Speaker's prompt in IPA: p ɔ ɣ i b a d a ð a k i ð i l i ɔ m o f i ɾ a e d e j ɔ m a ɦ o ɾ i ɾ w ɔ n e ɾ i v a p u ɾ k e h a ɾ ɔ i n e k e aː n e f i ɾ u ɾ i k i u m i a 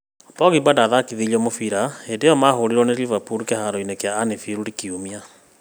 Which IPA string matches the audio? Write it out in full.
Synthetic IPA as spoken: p ɔ ɣ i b a d a ð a k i ð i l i ɔ m o f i ɾ a e d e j ɔ m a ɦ o ɾ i ɾ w ɔ n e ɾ i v a p u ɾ k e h a ɾ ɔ i n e k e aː n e f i ɾ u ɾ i k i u m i a